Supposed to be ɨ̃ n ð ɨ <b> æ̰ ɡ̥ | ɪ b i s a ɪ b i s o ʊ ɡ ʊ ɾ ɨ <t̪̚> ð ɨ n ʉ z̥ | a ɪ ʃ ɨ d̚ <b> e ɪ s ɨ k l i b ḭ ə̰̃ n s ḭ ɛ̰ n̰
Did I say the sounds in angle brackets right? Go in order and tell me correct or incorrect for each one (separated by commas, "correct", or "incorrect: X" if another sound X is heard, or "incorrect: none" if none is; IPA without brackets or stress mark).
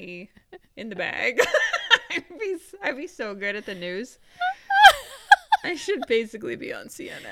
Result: correct, correct, correct